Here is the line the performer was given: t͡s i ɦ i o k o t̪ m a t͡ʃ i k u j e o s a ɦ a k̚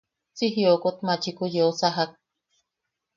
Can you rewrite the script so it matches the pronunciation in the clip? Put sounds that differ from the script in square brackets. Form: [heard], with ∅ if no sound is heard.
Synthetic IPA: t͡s i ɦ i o k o t̪ m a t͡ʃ i k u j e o s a ɦ a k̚